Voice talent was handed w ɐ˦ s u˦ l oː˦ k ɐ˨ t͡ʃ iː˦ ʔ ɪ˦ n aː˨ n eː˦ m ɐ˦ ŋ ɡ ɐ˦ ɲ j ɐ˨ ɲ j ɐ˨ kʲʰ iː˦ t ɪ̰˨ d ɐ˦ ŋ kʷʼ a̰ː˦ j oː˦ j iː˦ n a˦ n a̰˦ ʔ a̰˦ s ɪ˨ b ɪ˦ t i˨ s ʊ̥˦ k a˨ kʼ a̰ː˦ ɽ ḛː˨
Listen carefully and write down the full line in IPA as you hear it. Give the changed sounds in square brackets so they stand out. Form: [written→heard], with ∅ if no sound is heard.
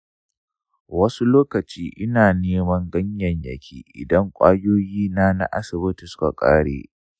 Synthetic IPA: w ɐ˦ s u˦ l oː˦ k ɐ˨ t͡ʃ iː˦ ʔ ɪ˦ n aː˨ n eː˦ m ɐ˦ ŋ ɡ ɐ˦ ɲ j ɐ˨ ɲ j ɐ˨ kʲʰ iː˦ [t→ʔ] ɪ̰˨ d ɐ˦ ŋ kʷʼ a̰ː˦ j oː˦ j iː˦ n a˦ n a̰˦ ʔ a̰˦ s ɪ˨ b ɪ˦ t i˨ s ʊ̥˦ k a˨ kʼ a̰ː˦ ɽ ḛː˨